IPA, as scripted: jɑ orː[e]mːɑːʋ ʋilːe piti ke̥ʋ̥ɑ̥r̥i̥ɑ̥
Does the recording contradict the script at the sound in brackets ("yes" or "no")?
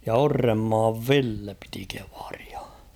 no